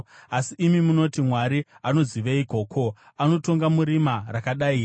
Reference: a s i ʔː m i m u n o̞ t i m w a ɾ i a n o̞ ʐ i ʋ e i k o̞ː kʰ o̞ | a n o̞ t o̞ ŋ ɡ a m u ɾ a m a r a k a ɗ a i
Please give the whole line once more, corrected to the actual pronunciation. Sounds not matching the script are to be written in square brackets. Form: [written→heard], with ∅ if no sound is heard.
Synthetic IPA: a s i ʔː m i m u n o̞ t i m w a ɾ i a n o̞ [ʐ→z] i ʋ e i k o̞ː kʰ o̞ | a n o̞ t o̞ ŋ ɡ a m u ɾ [a→i] m a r a k a ɗ a i